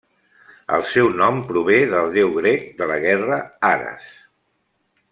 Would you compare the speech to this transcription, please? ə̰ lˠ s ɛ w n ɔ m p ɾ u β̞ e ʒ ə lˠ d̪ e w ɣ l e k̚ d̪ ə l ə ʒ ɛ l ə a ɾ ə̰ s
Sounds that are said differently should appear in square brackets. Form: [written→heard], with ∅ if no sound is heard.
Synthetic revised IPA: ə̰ lˠ s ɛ w n ɔ m p ɾ u β̞ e [ʒ→ð] ə lˠ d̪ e w ɣ [l→ɾ] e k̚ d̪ ə l ə [ʒ→ɣ] ɛ [l→r] ə a ɾ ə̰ s